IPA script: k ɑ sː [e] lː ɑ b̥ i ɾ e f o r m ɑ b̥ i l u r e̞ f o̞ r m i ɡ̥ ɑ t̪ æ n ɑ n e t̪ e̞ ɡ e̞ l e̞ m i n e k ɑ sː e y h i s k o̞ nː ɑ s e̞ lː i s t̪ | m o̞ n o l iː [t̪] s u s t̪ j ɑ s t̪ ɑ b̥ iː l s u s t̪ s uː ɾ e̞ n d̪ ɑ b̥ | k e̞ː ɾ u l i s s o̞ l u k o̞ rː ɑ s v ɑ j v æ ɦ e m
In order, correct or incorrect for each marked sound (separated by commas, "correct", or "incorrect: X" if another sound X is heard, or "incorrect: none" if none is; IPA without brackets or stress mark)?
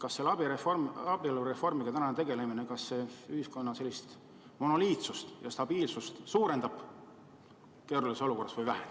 correct, correct